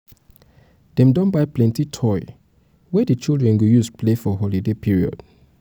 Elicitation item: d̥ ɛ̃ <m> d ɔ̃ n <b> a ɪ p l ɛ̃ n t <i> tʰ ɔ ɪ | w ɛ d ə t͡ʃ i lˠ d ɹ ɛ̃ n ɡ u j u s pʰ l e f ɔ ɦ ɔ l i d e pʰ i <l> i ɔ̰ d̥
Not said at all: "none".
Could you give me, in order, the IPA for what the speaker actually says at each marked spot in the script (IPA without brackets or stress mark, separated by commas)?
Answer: m, b, i, ɹ